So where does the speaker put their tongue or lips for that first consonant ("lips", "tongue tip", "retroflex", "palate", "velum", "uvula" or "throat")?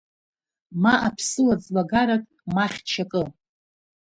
lips